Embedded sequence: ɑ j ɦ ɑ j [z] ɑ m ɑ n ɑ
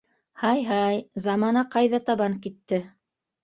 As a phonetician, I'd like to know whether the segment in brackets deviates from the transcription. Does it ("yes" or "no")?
no